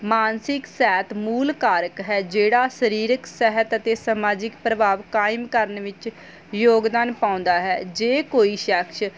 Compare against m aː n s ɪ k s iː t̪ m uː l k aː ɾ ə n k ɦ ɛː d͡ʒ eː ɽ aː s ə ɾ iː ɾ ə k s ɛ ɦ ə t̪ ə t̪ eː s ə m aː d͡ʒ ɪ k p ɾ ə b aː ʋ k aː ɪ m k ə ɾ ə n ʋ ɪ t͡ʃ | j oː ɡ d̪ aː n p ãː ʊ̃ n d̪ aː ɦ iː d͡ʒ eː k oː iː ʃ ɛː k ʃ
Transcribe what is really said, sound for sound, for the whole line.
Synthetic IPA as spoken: m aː n s ɪ k s ɛː t̪ m uː l k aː ɾ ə k ɦ ɛː d͡ʒ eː ɽ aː s ə ɾ iː ɾ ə k s ɛ ɦ ə t̪ ə t̪ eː s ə m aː d͡ʒ ɪ k p ɾ ə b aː ʋ k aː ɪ m k ə ɾ ə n ʋ ɪ t͡ʃ | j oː ɡ d̪ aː n p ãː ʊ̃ n d̪ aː ɦ ɛː d͡ʒ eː k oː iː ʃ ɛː k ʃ